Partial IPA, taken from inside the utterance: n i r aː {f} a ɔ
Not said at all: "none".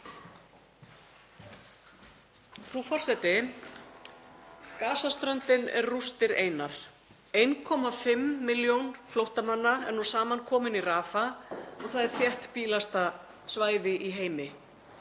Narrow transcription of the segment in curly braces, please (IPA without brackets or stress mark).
f